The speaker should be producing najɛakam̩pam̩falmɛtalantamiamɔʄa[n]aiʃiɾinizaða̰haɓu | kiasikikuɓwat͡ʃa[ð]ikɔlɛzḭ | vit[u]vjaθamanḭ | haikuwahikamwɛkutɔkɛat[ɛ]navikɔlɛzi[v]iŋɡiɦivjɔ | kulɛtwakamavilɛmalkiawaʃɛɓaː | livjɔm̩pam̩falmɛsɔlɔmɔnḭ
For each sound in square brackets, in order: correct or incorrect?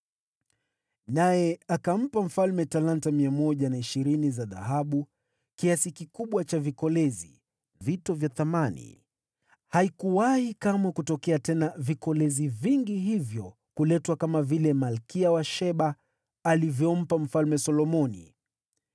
correct, incorrect, incorrect, correct, correct

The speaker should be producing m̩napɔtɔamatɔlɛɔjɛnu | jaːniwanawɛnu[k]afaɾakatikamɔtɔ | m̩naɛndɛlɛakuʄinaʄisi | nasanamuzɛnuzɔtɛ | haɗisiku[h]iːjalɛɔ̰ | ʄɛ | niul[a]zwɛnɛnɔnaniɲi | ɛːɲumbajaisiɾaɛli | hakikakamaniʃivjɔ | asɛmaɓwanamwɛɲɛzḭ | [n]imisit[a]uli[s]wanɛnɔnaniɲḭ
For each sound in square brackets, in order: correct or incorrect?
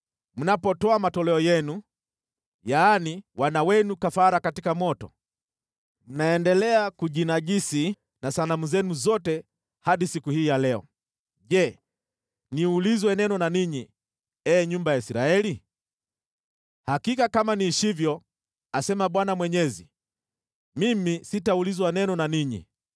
correct, correct, incorrect, incorrect, correct, incorrect

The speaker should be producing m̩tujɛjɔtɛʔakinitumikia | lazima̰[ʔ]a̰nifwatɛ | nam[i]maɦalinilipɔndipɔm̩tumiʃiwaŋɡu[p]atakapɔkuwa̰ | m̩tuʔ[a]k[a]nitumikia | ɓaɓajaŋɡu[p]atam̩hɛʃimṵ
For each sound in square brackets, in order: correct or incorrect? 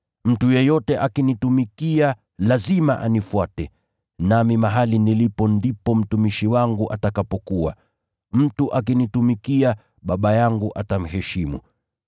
correct, correct, incorrect, correct, incorrect, incorrect

